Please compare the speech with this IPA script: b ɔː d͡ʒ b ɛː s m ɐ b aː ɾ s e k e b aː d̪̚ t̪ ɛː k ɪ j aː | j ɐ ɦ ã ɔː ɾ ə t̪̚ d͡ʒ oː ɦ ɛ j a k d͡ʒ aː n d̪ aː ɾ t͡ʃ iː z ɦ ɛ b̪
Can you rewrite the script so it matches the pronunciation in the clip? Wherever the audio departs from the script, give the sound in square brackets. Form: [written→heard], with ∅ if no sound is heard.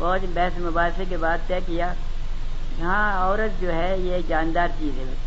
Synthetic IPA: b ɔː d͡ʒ b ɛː s m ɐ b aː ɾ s e k e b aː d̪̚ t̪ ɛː k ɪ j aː | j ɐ ɦ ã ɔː ɾ ə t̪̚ d͡ʒ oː ɦ ɛ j [a→e] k d͡ʒ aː n d̪ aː ɾ t͡ʃ iː z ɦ ɛ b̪